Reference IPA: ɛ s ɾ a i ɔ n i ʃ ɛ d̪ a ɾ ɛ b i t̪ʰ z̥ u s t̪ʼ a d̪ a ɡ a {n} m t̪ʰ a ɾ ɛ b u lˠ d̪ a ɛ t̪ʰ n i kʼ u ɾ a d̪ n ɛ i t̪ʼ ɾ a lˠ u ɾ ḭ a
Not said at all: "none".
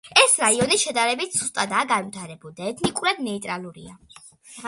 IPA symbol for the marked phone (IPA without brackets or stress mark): n